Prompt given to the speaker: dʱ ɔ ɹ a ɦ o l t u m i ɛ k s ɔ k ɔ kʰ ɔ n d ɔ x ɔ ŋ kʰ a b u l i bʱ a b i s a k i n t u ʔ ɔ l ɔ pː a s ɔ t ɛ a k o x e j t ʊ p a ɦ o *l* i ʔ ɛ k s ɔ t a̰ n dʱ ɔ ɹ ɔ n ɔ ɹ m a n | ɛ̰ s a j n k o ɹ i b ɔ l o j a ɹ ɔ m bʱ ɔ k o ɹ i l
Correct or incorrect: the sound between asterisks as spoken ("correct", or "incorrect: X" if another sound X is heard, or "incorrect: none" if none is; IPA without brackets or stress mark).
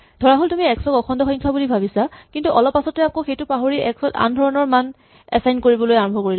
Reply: incorrect: ɹ